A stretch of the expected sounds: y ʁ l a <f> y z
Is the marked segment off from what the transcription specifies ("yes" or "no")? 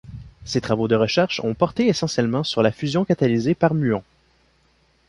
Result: no